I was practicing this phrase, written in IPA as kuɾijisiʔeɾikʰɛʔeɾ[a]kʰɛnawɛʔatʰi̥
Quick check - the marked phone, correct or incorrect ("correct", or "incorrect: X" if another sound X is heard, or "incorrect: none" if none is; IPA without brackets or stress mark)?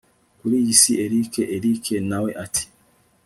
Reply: incorrect: i